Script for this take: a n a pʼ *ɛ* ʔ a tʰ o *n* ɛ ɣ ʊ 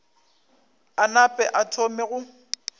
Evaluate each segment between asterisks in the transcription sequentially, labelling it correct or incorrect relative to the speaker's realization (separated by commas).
correct, incorrect